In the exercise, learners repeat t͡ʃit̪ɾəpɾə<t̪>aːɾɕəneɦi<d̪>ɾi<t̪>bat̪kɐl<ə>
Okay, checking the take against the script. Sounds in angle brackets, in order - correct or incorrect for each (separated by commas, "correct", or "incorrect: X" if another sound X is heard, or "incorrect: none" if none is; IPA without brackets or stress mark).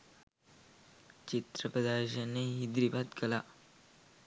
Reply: incorrect: d̪, correct, incorrect: none, incorrect: a